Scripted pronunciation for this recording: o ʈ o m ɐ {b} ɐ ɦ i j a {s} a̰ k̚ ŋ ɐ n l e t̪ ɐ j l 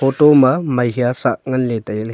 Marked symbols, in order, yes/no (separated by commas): no, yes